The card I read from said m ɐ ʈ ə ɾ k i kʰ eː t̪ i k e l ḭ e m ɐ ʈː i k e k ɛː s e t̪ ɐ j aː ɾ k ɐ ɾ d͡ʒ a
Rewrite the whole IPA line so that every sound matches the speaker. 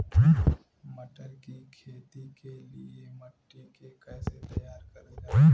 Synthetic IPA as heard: m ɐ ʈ ə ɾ k i kʰ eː t̪ i k e l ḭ e m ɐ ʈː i k e k ɛː s e t̪ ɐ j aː ɾ k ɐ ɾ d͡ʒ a